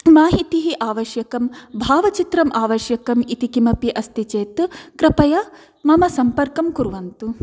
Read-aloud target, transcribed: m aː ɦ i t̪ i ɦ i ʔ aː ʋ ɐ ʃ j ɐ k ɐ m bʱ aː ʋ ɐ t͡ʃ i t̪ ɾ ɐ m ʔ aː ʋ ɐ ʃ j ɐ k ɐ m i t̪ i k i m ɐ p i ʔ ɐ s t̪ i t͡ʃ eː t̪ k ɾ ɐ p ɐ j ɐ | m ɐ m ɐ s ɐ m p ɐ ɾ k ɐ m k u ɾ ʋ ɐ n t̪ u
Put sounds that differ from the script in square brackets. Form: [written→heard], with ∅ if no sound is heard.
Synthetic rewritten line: m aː ɦ i t̪ i ɦ i ʔ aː ʋ ɐ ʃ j ɐ k ɐ m bʱ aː ʋ ɐ t͡ʃ i t̪ ɾ ɐ m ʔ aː ʋ ɐ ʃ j ɐ k ɐ m i t̪ i k i m ɐ p i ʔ ɐ s t̪ i t͡ʃ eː t̪ k ɾ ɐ p ɐ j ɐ | m ɐ m ɐ s ɐ m p ɐ ɾ k ɐ m k u ɾ ʋ ɐ n t̪ u